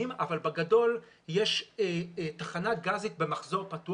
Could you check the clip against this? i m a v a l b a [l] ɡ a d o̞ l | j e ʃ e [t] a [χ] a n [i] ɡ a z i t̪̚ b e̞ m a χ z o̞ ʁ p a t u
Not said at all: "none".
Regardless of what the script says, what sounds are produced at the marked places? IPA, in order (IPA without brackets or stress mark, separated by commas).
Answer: none, t, χ, a